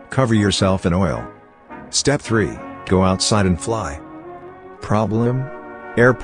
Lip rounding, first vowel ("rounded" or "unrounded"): unrounded